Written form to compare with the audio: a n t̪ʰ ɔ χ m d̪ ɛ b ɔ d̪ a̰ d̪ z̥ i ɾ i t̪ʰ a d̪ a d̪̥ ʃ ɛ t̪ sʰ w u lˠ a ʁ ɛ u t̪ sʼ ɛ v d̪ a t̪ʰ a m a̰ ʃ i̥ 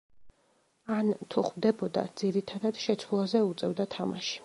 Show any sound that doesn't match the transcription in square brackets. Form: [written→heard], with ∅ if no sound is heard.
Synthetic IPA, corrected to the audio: a n t̪ʰ [ɔ→u] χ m d̪ ɛ b ɔ d̪ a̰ d̪ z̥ i ɾ i t̪ʰ a d̪ a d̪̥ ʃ ɛ t̪ sʰ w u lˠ a [ʁ→z] ɛ u t̪ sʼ ɛ v d̪ a t̪ʰ a m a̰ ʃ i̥